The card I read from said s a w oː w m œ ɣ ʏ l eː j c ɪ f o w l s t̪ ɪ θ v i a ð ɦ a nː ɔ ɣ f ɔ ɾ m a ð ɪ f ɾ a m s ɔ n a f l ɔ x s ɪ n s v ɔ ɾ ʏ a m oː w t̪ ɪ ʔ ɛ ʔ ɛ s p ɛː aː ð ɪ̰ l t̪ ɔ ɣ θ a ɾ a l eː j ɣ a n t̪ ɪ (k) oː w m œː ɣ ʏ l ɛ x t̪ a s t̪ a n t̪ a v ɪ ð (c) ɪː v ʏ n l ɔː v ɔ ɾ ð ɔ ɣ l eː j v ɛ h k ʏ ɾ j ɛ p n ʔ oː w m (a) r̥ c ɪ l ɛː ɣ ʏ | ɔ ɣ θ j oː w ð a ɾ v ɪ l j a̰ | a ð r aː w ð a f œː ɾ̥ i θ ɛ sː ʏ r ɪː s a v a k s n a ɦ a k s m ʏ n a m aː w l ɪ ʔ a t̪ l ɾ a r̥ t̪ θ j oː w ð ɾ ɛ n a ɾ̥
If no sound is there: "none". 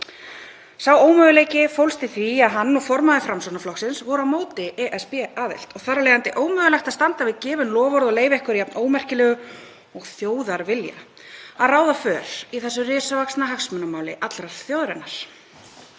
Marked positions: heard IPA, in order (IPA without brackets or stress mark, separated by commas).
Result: ʔ, c, ɛ